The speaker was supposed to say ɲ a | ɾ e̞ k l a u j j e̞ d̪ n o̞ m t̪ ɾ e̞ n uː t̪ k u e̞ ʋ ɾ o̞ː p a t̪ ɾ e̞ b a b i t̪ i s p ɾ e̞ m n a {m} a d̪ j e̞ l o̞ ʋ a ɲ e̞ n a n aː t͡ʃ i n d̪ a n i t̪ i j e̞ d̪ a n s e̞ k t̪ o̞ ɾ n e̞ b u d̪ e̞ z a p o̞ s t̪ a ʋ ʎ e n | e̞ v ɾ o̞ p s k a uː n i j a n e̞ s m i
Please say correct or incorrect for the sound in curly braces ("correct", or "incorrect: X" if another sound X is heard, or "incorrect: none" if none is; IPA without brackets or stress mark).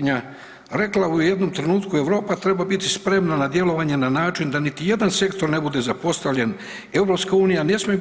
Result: incorrect: n